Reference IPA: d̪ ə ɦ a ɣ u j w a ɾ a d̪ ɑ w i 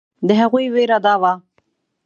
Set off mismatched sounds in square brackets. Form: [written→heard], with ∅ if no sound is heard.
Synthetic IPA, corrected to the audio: d̪ ə ɦ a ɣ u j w [a→e] ɾ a d̪ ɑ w [i→a]